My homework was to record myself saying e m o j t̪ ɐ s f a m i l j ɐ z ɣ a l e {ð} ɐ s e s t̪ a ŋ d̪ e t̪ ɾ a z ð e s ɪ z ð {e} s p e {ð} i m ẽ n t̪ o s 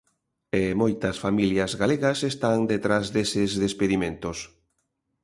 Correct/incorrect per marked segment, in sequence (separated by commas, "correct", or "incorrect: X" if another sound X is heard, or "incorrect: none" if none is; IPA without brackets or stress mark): incorrect: ɣ, correct, correct